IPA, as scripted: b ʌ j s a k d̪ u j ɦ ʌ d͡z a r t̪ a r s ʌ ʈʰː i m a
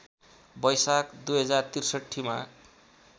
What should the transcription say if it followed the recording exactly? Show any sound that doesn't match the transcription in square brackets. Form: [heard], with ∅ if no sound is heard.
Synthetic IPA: b ʌ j s a k d̪ u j ɦ ʌ d͡z a r t̪ [i] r s ʌ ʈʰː i m a